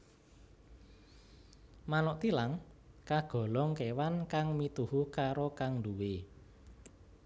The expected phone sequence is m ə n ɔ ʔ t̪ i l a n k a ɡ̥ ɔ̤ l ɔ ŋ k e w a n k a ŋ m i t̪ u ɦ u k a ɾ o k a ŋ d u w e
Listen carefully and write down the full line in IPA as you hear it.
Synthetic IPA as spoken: m a n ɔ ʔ t̪ i l a ŋ k a ɡ̥ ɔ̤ l ɔ ŋ k e w a n k a ŋ m i t̪ u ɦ u k a ɾ o k a ŋ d u w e